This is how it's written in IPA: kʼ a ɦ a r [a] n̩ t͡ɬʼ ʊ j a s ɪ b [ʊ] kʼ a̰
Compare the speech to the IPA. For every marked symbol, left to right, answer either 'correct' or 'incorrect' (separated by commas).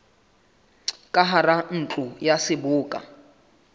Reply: correct, incorrect